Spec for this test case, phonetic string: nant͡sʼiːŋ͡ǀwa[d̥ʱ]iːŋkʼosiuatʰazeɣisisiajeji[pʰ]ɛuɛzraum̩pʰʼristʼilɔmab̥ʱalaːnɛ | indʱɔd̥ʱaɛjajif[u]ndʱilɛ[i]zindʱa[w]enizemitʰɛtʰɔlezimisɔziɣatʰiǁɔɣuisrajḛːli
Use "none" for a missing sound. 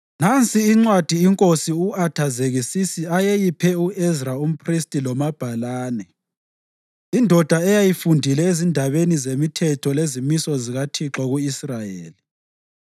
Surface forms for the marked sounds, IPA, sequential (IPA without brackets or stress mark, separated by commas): d̥ʱ, pʰ, u, e, β